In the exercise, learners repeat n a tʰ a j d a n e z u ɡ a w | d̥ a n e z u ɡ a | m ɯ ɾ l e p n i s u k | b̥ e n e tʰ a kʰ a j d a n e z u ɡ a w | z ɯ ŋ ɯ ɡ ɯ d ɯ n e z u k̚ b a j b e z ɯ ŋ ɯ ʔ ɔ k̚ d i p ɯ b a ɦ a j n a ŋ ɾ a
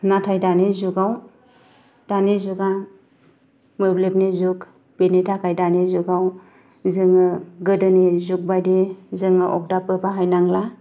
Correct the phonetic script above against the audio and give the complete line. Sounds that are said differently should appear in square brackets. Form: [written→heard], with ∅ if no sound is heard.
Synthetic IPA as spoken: n a tʰ a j d a n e z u ɡ a w | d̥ a n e z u ɡ a | m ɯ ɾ l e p n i [s→z] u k | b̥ e n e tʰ a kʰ a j d a n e z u ɡ a w | z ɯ ŋ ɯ ɡ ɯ d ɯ n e z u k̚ b a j [b→d] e z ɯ ŋ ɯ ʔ ɔ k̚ d [i→a] p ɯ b a ɦ a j n a ŋ [ɾ→l] a